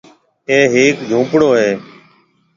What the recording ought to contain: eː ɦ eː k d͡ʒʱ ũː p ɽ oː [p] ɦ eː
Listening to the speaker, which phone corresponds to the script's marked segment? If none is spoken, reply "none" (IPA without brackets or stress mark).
none